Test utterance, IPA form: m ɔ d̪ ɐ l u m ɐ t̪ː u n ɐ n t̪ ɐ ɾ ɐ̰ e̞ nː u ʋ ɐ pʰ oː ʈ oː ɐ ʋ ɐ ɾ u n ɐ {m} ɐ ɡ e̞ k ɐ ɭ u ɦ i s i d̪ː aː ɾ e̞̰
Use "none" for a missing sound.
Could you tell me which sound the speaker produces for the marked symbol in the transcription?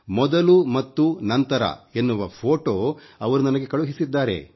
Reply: n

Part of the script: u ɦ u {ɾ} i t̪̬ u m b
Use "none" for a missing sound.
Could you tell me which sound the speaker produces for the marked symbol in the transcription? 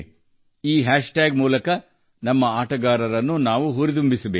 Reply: ɾ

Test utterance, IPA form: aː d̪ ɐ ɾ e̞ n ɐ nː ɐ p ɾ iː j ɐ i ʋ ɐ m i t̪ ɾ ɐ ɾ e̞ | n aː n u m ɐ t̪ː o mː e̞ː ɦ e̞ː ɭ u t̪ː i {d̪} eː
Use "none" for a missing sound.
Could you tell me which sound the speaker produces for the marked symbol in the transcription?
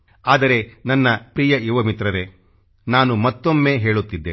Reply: d̪ː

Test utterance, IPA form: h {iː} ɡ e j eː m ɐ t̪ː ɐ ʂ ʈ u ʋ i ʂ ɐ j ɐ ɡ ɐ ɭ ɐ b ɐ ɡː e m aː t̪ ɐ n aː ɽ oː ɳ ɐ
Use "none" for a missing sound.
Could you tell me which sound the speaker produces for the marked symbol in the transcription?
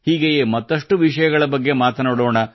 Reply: iː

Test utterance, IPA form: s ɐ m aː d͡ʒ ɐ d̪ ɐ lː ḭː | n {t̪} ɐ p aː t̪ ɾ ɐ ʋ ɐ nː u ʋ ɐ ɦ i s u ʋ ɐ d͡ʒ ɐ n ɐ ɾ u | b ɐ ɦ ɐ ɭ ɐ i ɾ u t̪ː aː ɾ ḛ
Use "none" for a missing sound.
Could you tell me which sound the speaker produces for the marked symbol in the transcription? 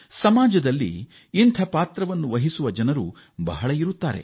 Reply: t̪ʰ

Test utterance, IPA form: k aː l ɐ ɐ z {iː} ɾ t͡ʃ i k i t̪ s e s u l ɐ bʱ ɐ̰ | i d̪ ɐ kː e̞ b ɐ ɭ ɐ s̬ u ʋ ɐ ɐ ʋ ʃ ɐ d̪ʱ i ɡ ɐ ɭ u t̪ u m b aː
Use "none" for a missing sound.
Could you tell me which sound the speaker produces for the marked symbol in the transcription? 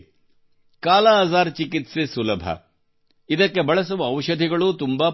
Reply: aː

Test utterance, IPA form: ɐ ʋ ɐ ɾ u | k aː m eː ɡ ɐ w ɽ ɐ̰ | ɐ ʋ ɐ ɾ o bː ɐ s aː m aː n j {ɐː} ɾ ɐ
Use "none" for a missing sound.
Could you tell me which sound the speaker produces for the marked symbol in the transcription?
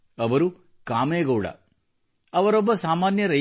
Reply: ɐ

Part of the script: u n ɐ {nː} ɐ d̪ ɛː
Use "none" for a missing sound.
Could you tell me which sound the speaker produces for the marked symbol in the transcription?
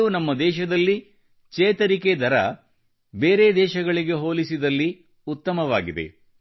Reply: mː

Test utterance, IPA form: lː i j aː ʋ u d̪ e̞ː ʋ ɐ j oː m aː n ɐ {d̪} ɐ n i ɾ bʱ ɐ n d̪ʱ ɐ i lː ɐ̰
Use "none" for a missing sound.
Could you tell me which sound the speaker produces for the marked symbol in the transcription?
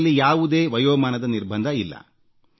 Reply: d̪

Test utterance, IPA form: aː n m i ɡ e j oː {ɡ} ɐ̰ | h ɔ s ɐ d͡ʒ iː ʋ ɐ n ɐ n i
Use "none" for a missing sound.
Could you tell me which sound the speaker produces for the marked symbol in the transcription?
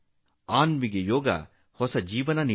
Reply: ɡ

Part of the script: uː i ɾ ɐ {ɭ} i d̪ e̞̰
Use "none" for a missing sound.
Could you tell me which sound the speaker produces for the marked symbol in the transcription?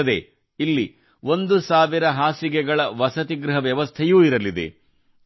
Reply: l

